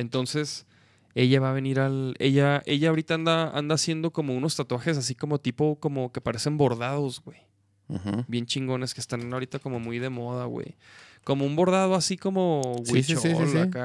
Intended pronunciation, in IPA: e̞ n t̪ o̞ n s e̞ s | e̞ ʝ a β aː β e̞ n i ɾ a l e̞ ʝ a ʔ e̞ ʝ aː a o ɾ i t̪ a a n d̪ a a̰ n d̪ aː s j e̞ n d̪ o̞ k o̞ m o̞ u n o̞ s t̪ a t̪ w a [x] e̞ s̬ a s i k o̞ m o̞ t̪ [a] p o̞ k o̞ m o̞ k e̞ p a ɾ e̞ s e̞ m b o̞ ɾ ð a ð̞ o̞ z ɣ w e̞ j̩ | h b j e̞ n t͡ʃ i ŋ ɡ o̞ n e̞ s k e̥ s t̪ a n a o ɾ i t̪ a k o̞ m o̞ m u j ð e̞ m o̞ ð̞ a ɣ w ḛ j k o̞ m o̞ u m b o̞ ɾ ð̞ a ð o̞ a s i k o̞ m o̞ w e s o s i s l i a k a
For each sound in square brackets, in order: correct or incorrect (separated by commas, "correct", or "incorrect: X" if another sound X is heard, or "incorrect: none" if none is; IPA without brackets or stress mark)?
correct, incorrect: i